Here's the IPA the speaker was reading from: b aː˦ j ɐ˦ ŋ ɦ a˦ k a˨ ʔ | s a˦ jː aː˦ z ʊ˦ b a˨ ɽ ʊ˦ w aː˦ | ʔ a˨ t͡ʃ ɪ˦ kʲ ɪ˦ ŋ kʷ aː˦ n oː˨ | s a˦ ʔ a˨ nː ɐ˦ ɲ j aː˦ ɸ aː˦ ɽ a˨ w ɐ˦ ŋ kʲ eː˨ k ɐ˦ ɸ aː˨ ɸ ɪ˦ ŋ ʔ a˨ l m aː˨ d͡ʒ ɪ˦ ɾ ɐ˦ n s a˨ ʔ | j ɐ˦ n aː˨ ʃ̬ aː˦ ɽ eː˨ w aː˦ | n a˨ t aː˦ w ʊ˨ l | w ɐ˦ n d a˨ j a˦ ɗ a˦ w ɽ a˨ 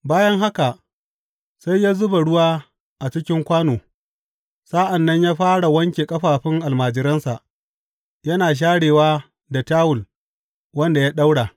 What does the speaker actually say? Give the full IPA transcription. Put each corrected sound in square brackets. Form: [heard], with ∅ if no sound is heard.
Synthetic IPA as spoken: b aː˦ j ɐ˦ ŋ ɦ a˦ k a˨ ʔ | s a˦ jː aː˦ z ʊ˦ b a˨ ɽ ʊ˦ w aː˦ | ʔ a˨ t͡ʃ ɪ˦ kʲ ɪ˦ ŋ kʷ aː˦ n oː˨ | s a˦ ʔ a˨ nː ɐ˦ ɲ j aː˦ ɸ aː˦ ɽ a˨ w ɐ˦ ŋ kʲ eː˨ [kʼ] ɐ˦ ɸ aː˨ ɸ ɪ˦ ŋ ʔ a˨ l m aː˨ d͡ʒ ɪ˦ ɾ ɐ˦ n s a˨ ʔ | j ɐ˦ n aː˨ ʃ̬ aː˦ ɽ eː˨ w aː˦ | [d] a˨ t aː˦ w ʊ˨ l | w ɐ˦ n d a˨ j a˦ ɗ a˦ w ɽ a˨